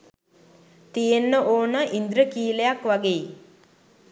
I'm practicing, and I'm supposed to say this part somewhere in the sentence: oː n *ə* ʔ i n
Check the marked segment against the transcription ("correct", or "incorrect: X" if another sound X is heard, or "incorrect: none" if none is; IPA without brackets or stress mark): correct